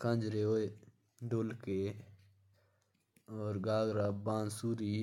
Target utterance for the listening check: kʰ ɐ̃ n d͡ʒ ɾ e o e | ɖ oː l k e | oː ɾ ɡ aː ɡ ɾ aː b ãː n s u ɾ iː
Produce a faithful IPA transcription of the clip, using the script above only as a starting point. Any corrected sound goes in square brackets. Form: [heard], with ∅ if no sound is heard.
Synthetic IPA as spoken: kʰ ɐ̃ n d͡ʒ ɾ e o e | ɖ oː l k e | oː ɾ ɡ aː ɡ ɾ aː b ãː n s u ɾ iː